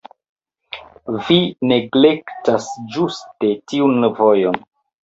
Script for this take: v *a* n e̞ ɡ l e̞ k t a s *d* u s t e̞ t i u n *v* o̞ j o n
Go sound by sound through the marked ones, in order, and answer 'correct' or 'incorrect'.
incorrect: i, incorrect: d͡ʒ, correct

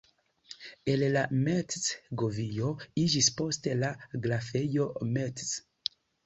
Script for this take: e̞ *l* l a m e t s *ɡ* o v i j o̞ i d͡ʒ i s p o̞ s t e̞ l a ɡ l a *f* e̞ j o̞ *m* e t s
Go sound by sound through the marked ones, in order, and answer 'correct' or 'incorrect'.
correct, correct, correct, correct

